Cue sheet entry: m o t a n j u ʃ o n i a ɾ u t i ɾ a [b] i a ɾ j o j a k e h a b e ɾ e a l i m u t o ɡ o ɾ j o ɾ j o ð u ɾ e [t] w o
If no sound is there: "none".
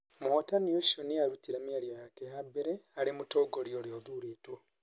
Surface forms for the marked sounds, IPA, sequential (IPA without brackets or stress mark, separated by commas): m, t